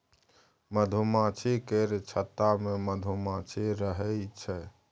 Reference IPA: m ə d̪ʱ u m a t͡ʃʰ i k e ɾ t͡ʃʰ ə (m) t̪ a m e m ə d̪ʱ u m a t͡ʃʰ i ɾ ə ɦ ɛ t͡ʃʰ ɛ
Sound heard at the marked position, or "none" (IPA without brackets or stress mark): none